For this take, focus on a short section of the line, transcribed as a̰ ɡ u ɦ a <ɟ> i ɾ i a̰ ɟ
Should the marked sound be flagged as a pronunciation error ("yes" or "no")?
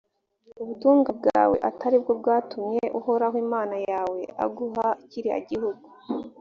yes